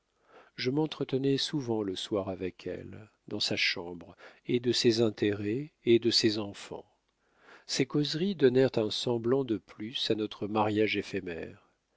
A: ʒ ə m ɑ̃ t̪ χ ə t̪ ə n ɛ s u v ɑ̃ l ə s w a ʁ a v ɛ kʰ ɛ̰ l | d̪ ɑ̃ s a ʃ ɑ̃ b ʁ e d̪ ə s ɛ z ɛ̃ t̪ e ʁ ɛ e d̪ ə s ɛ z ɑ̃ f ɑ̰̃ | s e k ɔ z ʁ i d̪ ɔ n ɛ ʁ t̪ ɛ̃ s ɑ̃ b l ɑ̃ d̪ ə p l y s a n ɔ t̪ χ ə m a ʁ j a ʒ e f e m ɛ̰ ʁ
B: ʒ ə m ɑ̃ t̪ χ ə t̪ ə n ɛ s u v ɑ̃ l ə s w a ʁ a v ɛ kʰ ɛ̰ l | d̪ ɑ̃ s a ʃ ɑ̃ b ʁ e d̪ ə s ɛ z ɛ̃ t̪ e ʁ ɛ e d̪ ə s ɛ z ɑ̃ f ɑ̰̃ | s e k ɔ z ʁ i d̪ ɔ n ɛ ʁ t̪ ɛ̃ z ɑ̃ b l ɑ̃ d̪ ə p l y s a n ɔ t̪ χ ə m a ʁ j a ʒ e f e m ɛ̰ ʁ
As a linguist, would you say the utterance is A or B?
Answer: A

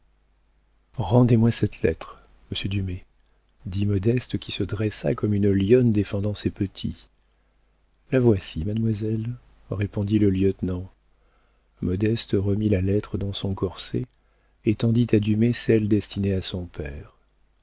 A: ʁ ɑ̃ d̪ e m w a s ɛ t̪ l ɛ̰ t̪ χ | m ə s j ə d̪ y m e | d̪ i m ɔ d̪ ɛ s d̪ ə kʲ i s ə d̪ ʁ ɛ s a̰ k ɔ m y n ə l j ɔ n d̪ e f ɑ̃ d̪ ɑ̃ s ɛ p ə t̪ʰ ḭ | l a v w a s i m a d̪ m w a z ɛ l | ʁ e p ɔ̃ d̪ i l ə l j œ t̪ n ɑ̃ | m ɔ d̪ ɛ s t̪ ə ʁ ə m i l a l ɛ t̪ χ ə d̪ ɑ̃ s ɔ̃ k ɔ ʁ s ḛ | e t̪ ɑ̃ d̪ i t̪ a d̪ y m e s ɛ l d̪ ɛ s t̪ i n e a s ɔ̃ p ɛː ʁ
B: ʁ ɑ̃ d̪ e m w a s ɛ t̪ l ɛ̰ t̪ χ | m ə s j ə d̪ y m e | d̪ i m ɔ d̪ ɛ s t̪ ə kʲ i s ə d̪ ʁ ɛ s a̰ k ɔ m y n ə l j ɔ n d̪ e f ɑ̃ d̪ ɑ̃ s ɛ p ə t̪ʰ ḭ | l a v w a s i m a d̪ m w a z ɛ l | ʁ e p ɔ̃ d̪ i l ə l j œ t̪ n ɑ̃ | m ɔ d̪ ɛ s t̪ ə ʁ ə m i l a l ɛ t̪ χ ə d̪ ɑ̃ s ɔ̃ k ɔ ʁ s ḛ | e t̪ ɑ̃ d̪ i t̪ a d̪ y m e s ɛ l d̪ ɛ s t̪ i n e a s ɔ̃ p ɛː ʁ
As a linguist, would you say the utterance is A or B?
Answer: B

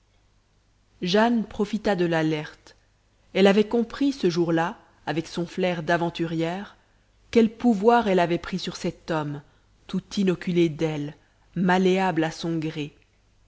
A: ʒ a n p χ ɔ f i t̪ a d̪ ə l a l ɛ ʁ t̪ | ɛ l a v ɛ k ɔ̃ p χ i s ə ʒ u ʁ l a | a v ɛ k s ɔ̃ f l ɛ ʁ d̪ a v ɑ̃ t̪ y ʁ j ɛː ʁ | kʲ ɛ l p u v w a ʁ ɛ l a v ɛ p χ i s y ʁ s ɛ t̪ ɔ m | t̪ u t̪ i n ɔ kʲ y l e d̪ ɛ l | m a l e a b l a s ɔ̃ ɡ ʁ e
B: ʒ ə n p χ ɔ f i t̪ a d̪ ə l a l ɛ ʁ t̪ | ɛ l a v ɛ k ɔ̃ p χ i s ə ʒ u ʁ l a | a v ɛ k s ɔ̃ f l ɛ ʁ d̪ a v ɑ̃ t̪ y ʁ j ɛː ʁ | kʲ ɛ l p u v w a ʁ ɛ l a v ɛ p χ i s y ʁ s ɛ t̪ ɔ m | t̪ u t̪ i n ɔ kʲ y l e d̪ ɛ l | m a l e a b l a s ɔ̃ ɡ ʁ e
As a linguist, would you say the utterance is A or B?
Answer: A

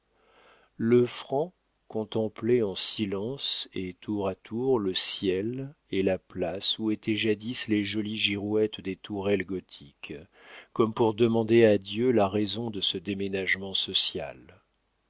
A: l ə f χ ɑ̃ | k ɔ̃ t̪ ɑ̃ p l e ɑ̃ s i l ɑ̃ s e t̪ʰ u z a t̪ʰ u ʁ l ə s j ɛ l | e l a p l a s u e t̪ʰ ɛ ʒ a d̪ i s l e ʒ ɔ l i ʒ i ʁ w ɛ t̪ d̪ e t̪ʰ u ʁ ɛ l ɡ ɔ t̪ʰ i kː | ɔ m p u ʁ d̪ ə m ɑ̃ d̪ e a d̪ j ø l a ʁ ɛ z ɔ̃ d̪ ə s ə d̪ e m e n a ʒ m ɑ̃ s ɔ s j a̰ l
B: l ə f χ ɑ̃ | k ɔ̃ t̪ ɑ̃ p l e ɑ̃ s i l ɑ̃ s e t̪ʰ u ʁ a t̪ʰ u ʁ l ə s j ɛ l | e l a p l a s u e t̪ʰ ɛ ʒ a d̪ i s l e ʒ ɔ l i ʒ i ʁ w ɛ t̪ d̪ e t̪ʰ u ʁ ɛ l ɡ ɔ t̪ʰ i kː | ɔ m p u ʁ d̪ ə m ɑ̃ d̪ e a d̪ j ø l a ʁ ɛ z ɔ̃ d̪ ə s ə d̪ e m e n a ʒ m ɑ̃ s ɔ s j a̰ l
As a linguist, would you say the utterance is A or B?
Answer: B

